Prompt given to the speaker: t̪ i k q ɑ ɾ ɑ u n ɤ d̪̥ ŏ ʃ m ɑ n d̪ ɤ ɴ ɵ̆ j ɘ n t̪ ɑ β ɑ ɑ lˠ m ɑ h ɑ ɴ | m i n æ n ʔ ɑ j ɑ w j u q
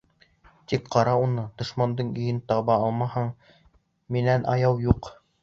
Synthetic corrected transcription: t̪ i k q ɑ ɾ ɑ u n ɤ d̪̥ ŏ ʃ m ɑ n d̪ ɤ ɴ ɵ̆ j ɘ n t̪ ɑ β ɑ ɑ lˠ m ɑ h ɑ ɴ | m i n æ n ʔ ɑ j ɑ w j u q